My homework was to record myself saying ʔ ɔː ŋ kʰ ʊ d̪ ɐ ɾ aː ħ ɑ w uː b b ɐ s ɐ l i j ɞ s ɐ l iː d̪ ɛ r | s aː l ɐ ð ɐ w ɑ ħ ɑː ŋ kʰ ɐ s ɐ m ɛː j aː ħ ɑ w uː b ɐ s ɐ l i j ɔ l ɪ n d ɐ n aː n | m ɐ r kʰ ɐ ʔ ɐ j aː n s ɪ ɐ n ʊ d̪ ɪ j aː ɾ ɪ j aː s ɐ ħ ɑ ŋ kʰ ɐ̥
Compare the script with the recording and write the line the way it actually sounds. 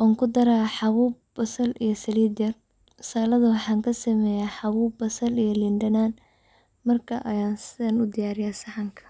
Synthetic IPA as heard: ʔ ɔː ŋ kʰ ʊ d̪ ɐ ɾ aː ħ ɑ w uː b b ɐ s ɐ l i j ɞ s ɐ l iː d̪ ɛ r | s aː l ɐ ð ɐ w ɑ ħ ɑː ŋ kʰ ɐ s ɐ m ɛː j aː ħ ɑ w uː b ɐ s ɐ l i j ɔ l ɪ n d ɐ n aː n | m ɐ r kʰ ɐ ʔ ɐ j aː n s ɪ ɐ n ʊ d̪ ɪ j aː ɾ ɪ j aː s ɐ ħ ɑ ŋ kʰ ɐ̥